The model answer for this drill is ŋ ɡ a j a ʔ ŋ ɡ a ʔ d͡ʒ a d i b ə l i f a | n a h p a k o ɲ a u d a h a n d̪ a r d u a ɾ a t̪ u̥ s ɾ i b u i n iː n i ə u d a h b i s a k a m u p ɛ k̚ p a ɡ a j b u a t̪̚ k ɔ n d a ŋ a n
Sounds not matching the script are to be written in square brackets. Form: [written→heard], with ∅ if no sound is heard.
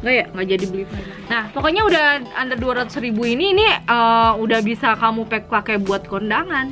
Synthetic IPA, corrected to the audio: ŋ ɡ a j a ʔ ŋ ɡ a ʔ d͡ʒ a d i b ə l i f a | n a h p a k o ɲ a u d a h a n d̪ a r d u a ɾ a t̪ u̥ s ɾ i b u i n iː n i ə u d a h b i s a k a m u p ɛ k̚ p a [ɡ→k] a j b u a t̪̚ k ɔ n d a ŋ a n